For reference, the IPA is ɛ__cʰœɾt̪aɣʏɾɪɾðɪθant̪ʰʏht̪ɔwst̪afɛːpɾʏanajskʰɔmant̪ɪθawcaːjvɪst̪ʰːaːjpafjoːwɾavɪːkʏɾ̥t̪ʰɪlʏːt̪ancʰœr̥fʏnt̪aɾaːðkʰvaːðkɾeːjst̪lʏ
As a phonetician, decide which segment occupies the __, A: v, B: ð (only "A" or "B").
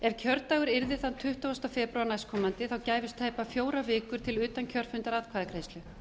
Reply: A